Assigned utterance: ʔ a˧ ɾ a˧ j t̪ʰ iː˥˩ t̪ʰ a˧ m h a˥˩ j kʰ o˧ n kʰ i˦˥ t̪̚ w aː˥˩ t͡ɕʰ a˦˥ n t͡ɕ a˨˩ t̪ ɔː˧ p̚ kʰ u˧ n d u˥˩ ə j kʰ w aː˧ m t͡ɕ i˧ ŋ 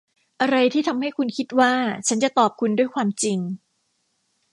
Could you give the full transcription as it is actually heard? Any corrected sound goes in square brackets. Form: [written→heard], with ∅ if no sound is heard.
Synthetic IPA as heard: ʔ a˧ ɾ a˧ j t̪ʰ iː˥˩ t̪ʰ a˧ m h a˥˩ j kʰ [o˧→u˧] n kʰ i˦˥ t̪̚ w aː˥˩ t͡ɕʰ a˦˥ n t͡ɕ a˨˩ t̪ [ɔː˧→ɔː˨˩] p̚ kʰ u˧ n d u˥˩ ə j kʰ w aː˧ m t͡ɕ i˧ ŋ